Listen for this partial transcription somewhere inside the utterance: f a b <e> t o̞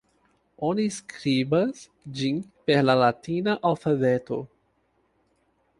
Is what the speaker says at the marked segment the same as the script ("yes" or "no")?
yes